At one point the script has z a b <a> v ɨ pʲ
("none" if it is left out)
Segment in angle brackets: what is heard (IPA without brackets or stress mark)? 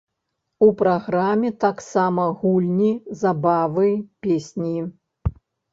a